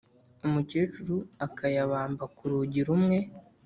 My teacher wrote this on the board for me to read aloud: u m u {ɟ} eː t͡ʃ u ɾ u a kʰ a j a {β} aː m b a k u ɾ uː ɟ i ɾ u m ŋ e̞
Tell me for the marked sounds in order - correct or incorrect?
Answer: incorrect, correct

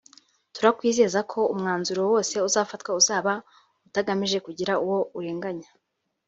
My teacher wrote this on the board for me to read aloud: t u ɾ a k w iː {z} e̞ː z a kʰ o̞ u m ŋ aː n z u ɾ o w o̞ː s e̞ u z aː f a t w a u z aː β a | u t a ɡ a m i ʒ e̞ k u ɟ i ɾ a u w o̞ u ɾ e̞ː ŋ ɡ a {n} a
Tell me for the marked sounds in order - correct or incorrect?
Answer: correct, incorrect

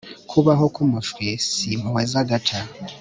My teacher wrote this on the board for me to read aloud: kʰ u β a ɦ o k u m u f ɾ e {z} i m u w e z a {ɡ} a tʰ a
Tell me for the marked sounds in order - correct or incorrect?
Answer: incorrect, correct

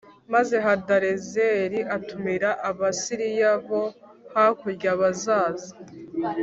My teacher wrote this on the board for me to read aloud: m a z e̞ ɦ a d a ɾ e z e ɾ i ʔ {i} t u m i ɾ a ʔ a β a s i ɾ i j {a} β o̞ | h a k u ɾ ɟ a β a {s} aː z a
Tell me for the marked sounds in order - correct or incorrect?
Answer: incorrect, correct, incorrect

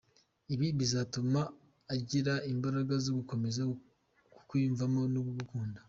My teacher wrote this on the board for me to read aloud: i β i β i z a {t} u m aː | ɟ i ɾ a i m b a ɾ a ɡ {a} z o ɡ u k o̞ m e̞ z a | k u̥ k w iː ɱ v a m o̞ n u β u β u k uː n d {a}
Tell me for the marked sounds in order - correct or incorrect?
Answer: correct, correct, correct

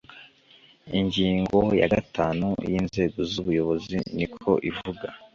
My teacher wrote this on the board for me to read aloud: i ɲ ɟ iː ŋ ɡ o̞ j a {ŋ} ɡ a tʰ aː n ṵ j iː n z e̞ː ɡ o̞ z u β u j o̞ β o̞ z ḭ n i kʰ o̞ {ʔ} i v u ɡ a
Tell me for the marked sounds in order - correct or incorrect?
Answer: incorrect, correct

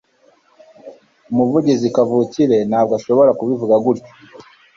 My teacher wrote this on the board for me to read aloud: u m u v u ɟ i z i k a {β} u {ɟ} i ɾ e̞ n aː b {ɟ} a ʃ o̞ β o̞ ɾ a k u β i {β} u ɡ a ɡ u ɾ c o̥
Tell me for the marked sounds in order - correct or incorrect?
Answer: incorrect, incorrect, incorrect, incorrect

